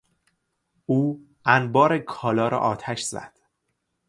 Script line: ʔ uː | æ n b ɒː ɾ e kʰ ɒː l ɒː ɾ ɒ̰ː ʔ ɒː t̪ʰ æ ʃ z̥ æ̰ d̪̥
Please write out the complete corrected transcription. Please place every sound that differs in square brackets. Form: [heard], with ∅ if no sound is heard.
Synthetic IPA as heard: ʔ uː | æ n b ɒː ɾ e kʰ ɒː l ɒː ɾ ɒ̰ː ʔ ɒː t̪ʰ æ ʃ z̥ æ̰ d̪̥